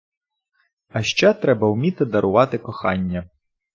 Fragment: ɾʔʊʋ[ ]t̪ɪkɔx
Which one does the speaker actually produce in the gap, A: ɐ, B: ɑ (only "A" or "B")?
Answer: B